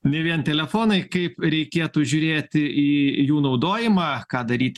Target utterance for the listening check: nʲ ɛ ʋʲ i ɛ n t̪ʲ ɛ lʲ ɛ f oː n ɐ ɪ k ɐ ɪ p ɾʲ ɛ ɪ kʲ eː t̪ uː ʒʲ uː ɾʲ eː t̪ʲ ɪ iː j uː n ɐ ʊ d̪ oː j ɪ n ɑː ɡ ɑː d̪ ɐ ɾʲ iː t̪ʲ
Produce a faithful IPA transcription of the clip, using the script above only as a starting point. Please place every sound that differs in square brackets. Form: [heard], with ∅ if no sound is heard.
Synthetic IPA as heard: nʲ ɛ ʋʲ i ɛ n t̪ʲ ɛ lʲ ɛ f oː n ɐ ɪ k ɐ ɪ p ɾʲ ɛ ɪ kʲ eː t̪ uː ʒʲ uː ɾʲ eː t̪ʲ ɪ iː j uː n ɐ ʊ d̪ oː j ɪ [m] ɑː [k] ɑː d̪ ɐ ɾʲ iː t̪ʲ